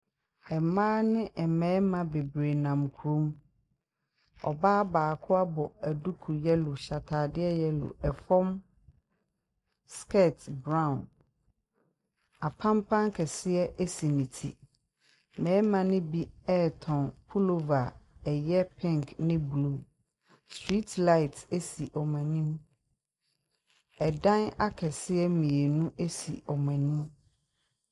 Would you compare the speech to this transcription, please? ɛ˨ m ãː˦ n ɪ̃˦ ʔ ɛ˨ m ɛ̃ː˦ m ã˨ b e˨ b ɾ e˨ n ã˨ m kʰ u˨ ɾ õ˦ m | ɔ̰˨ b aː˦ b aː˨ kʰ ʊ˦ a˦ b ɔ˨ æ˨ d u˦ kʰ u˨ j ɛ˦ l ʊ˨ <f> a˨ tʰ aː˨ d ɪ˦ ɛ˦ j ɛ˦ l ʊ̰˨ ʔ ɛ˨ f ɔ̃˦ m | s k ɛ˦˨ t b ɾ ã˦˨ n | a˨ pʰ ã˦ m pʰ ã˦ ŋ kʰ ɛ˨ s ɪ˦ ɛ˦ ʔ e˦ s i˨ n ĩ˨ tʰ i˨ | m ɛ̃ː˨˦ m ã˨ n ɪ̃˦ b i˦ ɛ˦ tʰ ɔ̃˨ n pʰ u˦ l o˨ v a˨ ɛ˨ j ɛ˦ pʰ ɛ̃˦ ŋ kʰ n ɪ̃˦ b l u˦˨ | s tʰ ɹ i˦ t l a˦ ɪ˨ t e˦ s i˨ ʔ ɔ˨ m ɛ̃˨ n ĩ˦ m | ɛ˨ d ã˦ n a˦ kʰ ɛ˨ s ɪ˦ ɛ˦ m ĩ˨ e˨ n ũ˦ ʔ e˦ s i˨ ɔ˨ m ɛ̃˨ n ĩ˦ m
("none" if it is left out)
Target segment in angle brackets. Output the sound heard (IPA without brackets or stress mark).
ɕ